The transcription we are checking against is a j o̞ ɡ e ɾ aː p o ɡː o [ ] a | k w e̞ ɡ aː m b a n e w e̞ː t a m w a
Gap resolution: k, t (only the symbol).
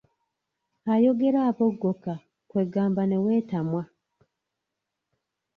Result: k